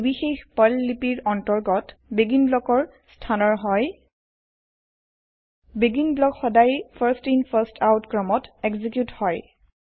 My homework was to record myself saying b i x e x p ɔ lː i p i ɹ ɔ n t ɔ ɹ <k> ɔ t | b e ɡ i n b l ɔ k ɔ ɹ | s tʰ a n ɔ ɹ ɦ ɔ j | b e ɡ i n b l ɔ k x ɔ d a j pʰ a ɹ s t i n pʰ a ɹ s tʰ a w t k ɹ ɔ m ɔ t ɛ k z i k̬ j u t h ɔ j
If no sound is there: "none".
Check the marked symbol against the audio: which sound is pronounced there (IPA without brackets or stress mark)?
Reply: ɡ